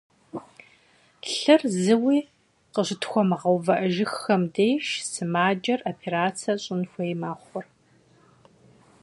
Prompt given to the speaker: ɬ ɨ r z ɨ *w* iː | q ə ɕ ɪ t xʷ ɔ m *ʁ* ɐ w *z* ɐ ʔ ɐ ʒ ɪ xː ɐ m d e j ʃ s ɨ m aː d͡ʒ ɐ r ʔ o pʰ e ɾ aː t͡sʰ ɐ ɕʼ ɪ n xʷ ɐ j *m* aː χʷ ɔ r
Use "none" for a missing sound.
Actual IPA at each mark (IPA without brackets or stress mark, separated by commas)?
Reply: w, ʁ, v, m